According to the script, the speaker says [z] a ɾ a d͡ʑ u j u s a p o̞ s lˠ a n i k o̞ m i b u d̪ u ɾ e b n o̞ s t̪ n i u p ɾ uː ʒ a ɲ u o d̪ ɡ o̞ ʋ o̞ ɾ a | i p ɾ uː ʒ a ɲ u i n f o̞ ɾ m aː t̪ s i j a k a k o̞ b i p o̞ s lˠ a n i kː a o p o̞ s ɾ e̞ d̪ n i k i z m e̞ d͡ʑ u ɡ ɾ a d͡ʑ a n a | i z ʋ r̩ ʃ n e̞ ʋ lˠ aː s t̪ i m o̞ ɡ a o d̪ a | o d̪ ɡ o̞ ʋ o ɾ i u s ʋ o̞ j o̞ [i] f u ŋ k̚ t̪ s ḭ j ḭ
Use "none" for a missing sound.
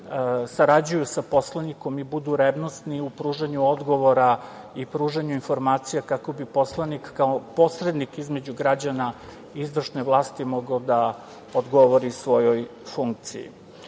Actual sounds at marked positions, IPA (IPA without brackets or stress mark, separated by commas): s, j